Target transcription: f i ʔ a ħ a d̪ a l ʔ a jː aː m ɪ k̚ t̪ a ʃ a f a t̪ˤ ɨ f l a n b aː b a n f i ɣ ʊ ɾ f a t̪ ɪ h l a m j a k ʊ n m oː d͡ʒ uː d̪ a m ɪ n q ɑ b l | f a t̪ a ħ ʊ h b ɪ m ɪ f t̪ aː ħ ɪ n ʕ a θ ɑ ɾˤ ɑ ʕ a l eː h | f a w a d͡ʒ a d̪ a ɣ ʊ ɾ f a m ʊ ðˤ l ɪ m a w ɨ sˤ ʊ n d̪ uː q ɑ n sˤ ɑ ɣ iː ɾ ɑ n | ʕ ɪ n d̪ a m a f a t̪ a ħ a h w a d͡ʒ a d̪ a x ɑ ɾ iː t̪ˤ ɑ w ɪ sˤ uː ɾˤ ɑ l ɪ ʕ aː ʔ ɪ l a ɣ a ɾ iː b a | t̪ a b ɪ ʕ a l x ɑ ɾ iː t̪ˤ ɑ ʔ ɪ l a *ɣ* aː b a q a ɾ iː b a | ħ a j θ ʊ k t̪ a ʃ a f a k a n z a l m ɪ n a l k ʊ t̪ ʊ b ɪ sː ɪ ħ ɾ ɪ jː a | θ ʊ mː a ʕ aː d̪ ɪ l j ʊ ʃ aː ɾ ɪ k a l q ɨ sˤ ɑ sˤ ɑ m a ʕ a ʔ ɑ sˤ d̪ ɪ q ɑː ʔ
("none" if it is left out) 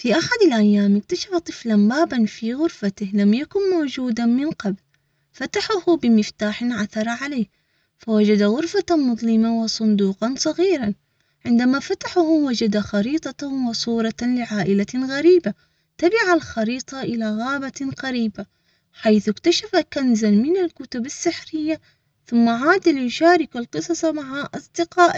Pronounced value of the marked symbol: ɣ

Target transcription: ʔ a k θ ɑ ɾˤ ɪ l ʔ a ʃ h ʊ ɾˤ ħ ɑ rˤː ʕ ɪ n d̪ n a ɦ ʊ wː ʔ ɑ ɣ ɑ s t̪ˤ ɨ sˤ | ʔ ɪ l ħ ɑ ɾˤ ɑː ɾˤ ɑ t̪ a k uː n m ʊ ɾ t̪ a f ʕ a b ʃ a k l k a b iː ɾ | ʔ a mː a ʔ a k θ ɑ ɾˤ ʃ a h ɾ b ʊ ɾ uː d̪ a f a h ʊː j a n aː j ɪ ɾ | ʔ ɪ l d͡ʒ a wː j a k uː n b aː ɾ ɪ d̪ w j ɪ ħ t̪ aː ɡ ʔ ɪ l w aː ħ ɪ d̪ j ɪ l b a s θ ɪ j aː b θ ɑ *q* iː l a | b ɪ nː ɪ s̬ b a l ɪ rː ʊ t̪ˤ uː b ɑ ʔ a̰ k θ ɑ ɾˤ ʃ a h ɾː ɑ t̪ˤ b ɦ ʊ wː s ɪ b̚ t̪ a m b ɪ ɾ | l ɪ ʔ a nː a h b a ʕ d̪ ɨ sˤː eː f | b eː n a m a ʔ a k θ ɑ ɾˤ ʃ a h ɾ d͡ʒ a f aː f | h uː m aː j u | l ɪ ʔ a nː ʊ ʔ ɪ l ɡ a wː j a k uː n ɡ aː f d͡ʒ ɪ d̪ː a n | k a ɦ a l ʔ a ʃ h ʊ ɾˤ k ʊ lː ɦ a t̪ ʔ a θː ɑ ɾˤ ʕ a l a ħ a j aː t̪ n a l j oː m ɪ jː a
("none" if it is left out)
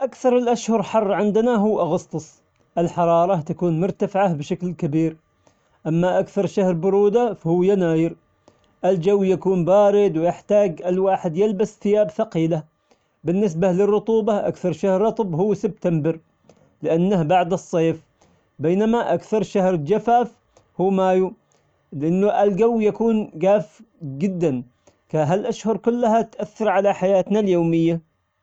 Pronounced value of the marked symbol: q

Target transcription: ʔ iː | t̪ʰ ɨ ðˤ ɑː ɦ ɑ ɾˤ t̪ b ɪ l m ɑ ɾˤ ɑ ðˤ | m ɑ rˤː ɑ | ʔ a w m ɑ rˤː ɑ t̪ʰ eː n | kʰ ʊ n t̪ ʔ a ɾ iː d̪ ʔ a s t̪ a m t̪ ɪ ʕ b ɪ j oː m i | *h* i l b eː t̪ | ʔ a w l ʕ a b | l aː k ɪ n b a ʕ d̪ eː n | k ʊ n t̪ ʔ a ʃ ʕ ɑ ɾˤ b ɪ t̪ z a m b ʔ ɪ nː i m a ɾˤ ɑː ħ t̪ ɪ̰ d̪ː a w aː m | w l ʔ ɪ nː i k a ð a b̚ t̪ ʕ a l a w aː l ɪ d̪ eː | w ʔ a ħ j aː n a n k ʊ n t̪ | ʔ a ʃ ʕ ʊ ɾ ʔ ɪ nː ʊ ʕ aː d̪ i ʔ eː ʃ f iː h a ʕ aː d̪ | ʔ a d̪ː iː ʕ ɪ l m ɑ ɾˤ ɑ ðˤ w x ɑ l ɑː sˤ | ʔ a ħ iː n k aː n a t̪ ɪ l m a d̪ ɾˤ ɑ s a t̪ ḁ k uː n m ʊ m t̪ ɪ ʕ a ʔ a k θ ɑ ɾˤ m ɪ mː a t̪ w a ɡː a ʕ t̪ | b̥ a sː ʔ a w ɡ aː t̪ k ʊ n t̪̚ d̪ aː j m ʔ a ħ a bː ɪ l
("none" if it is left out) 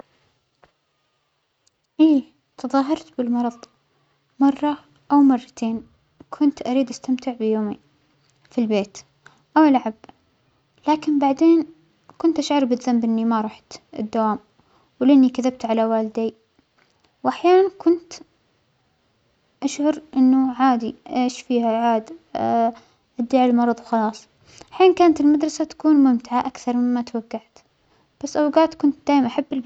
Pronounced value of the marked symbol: f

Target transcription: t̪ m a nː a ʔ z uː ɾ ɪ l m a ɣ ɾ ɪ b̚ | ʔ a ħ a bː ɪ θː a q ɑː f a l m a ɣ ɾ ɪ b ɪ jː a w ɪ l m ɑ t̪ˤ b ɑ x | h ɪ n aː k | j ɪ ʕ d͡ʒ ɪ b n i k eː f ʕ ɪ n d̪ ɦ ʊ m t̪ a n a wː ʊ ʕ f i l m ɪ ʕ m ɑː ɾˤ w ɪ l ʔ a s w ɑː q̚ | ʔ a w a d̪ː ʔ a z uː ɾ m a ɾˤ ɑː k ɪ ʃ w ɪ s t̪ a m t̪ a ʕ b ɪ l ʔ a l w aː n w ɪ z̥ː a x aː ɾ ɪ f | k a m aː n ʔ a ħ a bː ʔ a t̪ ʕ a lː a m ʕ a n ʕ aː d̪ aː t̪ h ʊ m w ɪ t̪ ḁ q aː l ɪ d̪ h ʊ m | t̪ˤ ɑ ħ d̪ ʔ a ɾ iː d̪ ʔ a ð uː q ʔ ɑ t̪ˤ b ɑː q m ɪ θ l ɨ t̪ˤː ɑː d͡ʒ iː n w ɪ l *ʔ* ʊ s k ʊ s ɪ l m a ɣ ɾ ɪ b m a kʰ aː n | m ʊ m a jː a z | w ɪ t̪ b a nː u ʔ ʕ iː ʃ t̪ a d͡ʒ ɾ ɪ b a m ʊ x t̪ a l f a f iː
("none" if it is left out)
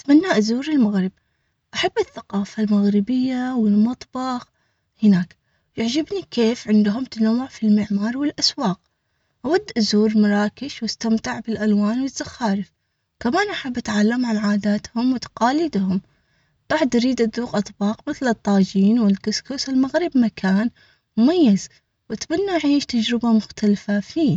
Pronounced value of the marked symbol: k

